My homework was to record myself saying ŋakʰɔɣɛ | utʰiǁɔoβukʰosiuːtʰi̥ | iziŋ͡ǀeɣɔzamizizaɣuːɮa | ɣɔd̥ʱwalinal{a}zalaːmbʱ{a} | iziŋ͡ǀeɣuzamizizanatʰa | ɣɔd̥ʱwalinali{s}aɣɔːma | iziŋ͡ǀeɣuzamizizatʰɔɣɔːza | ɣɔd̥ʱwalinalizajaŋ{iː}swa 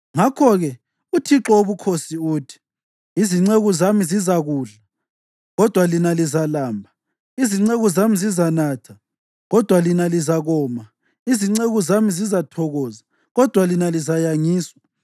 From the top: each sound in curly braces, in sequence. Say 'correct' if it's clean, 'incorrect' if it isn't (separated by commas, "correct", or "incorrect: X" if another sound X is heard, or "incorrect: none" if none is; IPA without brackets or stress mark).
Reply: incorrect: i, correct, incorrect: z, correct